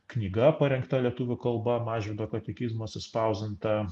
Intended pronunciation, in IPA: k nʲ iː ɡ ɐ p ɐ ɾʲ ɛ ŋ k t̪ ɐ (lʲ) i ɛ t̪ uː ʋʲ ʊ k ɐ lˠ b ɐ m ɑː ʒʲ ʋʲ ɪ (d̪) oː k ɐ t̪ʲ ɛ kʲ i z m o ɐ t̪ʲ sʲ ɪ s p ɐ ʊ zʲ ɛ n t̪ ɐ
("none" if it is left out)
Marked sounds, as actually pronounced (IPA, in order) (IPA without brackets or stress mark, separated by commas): lʲ, d̪